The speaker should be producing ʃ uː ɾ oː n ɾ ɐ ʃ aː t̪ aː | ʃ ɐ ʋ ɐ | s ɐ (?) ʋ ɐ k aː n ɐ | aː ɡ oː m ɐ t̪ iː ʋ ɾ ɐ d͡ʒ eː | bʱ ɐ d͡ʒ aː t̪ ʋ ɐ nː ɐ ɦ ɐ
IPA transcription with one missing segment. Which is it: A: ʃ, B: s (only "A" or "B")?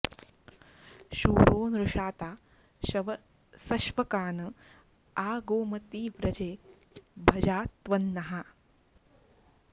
A